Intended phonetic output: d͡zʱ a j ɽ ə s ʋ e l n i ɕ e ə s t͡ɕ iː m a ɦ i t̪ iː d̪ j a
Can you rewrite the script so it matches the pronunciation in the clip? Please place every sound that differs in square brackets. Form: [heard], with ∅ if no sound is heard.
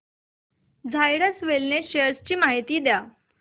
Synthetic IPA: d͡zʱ a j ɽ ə s ʋ e l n [e] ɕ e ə s t͡ɕ iː m a ɦ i t̪ iː d̪ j a

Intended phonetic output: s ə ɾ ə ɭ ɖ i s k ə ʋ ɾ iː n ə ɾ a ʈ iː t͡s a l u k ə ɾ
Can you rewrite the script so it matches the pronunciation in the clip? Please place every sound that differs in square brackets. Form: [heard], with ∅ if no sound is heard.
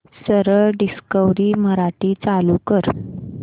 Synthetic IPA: s ə ɾ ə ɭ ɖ i s k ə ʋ ɾ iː [m] ə ɾ a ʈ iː t͡s a l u k ə ɾ

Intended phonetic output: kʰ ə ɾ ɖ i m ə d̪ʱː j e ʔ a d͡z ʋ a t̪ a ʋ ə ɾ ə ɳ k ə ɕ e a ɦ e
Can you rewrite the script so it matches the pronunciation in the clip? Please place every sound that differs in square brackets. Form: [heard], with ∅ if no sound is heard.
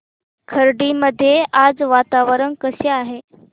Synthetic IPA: kʰ ə ɾ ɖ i m ə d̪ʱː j e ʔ a d͡z ʋ a t̪ a ʋ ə ɾ ə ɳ k ə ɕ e a ɦ e

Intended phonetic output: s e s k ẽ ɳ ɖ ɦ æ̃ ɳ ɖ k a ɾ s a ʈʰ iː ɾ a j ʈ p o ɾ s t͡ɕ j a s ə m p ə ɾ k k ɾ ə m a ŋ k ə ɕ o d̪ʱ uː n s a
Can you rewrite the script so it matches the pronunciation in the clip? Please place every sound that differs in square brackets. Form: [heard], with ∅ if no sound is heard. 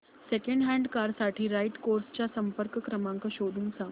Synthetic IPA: s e [∅] k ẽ ɳ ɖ ɦ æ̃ ɳ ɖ k a ɾ s a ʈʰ iː ɾ a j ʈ [k] o ɾ s t͡ɕ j a s ə m p ə ɾ k k ɾ ə m a ŋ k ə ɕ o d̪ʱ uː n s a

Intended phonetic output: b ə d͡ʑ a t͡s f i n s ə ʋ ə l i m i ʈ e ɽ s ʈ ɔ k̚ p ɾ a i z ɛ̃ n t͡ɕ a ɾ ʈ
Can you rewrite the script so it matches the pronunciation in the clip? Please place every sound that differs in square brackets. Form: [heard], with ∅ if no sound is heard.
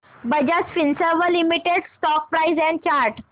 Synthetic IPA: b ə d͡ʑ a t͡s f i n s ə ʋ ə l i m i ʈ e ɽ s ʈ ɔ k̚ p ɾ a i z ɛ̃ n t͡ɕ a ɾ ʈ

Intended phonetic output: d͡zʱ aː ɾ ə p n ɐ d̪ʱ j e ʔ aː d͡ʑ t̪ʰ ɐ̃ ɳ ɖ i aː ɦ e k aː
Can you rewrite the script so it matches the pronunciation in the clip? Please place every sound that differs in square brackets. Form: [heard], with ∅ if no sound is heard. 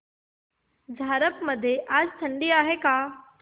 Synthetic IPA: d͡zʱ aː ɾ ə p [m] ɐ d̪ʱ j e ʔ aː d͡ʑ t̪ʰ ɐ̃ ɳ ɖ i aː ɦ e k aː

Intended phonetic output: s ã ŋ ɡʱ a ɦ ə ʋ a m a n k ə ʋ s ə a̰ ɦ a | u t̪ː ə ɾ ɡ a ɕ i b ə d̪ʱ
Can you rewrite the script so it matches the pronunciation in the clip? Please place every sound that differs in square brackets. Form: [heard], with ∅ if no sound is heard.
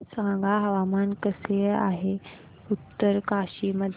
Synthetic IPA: s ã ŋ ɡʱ a ɦ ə ʋ a m a n k ə [∅] s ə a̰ ɦ [e] | u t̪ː ə ɾ [k] a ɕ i [m] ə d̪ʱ

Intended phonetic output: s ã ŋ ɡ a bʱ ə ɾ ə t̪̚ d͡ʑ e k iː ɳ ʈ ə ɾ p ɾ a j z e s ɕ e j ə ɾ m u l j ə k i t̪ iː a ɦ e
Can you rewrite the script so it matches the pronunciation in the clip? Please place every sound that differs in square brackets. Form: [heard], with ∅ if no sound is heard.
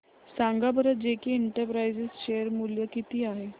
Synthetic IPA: s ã ŋ ɡ a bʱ ə ɾ ə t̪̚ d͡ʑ e k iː ɳ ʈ ə ɾ p ɾ a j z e s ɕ e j ə ɾ m u l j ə k i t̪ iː a ɦ e

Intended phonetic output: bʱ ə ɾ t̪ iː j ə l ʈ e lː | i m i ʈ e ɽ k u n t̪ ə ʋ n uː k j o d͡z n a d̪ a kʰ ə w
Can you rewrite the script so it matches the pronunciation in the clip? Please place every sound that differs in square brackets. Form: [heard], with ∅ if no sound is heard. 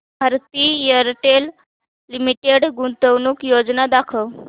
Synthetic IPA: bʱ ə ɾ t̪ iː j ə [ɾ] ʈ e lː | i m i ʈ e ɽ [ɡ] u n t̪ ə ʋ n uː k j o d͡z n a d̪ a kʰ ə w

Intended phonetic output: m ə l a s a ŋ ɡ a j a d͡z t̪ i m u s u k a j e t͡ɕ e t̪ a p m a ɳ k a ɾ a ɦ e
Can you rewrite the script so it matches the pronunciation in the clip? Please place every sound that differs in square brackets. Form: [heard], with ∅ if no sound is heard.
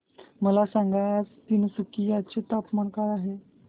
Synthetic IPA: m ə l a s a ŋ ɡ a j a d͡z t̪ i [n] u s u k [i] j [a] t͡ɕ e t̪ a p m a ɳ k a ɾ a ɦ e

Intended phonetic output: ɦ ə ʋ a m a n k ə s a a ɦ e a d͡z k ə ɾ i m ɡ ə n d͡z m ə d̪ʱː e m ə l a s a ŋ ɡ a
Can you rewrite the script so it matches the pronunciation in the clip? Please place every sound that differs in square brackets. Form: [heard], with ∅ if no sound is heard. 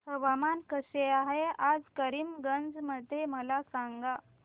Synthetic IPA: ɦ ə ʋ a m a n k ə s [e] a ɦ e a d͡z k ə ɾ i m ɡ ə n d͡z m ə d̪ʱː e m ə l a s a ŋ ɡ a

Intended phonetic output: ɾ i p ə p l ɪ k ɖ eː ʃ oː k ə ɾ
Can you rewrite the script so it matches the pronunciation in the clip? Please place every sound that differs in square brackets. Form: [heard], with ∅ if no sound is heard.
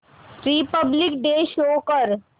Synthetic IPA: ɾ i p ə [b] l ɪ k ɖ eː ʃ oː k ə ɾ

